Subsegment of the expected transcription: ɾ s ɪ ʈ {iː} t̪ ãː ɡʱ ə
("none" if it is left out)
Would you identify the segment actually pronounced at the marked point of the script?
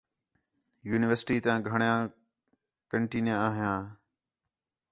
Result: iː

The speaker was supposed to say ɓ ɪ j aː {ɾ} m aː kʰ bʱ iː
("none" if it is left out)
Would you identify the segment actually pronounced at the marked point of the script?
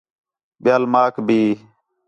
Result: l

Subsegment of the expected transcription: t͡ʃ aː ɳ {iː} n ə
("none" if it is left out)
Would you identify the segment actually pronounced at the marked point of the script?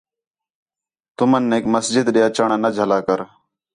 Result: aː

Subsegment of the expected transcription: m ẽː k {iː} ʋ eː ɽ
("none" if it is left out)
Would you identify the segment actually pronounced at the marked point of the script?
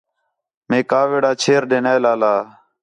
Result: aː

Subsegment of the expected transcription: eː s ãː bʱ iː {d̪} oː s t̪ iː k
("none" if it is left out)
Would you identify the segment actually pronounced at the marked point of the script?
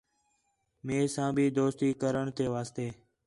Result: d̪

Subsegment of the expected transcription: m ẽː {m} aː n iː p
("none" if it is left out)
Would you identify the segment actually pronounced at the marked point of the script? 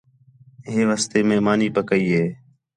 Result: m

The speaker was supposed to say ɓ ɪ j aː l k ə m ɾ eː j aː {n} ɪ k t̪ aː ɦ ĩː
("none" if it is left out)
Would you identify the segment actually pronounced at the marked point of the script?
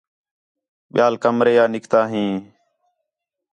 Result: n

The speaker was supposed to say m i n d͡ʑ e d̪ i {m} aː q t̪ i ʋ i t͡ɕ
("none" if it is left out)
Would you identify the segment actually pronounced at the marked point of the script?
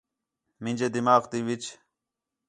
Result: m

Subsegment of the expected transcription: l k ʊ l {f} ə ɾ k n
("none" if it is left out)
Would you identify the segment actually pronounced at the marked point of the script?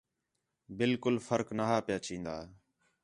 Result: f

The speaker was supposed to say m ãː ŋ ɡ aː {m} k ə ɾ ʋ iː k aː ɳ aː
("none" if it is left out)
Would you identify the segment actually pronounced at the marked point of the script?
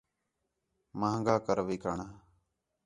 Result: none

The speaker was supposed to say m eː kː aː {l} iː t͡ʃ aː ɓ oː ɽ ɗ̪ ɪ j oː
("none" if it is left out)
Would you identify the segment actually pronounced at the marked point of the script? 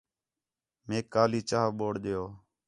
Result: l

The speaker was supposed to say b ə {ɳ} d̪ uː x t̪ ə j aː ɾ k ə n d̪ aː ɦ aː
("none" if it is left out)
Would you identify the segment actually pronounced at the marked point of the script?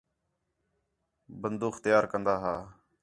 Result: n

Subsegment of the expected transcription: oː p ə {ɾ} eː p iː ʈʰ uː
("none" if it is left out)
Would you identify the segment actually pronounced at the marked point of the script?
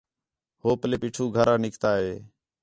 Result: l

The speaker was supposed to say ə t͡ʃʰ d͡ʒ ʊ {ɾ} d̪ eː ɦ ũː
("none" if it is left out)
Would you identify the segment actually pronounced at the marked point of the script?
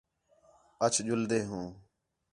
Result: l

